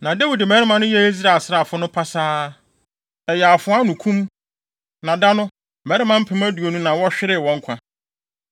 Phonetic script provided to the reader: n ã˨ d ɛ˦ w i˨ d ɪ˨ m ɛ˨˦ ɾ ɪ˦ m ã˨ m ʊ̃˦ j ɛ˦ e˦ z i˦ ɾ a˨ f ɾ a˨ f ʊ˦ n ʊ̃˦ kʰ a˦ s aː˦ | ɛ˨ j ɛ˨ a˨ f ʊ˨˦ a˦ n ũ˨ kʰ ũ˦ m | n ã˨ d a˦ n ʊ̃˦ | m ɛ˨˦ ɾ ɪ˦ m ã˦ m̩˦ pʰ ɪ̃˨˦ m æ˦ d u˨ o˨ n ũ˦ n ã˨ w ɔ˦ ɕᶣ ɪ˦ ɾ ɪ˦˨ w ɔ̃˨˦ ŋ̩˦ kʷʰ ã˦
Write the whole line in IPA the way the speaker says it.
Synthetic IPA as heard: n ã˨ d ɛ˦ w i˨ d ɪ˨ m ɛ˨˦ ɾ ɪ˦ m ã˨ n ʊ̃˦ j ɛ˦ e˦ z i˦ ɾ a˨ s ɾ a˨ f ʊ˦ n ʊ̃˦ pʰ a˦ s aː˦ | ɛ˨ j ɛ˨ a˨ f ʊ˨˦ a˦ n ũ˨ kʰ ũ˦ m | n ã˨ d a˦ n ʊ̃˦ | m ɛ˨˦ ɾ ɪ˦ m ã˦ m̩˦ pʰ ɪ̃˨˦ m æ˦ d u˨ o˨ n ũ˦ n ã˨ w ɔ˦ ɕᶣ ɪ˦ ɾ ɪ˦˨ w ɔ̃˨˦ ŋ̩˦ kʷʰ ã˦